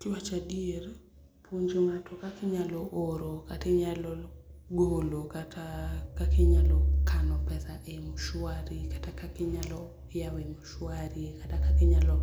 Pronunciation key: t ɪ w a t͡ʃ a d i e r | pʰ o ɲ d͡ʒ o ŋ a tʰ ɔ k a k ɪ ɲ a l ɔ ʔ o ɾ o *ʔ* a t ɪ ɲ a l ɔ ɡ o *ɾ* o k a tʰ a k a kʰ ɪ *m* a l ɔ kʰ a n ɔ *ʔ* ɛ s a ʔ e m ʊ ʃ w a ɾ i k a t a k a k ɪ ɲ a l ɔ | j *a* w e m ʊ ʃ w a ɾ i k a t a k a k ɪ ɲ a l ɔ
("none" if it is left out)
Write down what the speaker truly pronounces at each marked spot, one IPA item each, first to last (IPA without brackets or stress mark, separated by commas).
k, l, ɲ, p, a